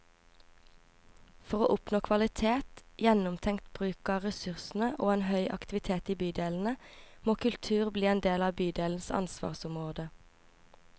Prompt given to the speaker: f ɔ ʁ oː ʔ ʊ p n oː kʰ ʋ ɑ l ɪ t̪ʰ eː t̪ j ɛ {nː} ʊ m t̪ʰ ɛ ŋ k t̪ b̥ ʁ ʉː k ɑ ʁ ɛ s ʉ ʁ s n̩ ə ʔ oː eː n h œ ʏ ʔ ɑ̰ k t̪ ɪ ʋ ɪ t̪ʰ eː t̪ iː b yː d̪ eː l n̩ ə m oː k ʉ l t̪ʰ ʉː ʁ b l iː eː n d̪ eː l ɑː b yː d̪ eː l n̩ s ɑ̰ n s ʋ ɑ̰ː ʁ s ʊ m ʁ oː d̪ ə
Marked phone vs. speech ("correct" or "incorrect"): incorrect